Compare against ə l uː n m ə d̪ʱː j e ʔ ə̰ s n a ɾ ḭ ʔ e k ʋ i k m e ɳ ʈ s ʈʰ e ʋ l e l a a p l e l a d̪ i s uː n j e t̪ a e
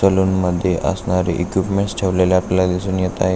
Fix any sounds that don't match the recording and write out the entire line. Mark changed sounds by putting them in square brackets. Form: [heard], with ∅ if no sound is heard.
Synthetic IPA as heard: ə l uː n m ə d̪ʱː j e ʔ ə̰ s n a ɾ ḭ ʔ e k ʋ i [p] m e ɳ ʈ s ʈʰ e ʋ l e l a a p l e l a d̪ i s uː n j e t̪ a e